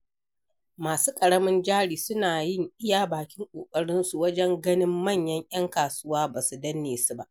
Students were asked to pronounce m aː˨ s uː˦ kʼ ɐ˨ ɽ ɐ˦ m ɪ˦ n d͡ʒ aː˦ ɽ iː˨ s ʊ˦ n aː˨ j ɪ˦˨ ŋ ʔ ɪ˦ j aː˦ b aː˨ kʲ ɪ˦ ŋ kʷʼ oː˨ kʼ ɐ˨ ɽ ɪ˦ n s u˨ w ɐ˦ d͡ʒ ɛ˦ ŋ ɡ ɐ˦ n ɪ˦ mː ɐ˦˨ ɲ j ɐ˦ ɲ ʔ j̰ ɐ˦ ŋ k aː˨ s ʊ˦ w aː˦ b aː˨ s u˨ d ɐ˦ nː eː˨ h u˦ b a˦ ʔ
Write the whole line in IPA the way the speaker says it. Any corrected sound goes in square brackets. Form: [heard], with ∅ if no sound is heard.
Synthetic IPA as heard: m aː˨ s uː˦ kʼ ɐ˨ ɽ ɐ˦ m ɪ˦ n d͡ʒ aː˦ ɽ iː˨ s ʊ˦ n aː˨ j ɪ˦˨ ŋ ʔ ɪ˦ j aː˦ b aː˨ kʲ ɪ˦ ŋ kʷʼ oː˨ kʼ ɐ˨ ɽ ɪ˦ n s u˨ w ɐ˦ d͡ʒ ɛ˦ ŋ ɡ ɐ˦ n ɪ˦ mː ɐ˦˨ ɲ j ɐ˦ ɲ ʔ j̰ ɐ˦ ŋ k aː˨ s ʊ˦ w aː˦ b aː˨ s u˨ d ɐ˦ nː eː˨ [s] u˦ b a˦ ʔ